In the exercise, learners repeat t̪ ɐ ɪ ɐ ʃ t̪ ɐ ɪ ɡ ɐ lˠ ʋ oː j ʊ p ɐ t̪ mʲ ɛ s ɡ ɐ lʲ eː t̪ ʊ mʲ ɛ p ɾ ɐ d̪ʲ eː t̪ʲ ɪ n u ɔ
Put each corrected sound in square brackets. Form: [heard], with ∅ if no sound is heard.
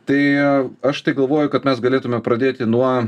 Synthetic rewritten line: t̪ ɐ ɪ ɐ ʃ t̪ ɐ ɪ ɡ ɐ lˠ ʋ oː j ʊ [k] ɐ t̪ mʲ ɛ s ɡ ɐ lʲ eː t̪ ʊ mʲ ɛ p ɾ ɐ d̪ʲ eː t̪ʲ ɪ n u ɔ